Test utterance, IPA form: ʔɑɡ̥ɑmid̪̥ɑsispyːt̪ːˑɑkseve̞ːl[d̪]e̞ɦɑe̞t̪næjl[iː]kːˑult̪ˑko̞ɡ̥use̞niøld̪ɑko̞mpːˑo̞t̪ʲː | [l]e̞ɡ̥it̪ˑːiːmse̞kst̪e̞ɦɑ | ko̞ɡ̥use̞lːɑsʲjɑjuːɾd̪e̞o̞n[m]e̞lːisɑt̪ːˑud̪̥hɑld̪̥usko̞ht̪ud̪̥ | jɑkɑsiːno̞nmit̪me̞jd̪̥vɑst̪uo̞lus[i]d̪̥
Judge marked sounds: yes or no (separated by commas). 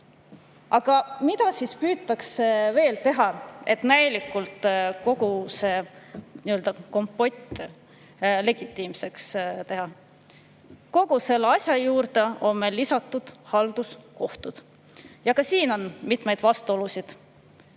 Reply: no, no, yes, yes, yes